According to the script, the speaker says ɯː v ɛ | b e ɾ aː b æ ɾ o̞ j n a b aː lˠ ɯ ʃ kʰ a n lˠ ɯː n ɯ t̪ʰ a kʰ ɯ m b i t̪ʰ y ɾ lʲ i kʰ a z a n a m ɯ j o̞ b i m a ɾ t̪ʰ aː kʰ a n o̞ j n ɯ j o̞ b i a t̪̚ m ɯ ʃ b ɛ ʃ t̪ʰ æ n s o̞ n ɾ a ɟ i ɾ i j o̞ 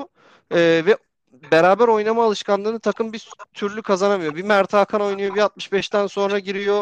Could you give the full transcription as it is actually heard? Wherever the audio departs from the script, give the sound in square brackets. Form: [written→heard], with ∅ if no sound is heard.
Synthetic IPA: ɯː v ɛ | b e ɾ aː b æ ɾ o̞ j n a [b→m] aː lˠ ɯ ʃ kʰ a n lˠ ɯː n ɯ t̪ʰ a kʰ ɯ m b i t̪ʰ y ɾ lʲ [i→y] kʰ a z a n a m ɯ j o̞ b i m [a→æ] ɾ t̪ʰ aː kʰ a n o̞ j n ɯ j o̞ b i a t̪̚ m ɯ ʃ b ɛ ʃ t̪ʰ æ n s o̞ n ɾ a ɟ i ɾ i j o̞